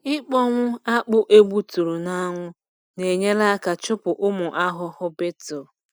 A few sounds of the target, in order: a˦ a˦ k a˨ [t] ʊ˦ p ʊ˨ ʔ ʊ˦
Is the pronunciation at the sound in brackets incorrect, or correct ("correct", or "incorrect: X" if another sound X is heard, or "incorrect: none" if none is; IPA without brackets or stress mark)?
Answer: incorrect: t͡ʃ